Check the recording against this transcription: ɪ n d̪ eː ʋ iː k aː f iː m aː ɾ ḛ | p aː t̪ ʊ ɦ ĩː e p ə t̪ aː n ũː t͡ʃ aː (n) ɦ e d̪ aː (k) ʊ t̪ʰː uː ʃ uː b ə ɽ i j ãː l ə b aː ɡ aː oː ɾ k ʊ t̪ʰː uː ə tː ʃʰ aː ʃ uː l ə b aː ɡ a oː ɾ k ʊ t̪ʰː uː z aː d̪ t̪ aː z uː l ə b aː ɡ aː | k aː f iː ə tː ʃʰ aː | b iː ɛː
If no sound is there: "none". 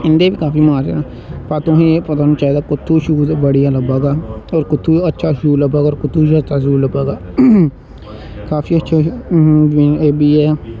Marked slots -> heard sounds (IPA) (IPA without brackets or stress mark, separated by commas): none, k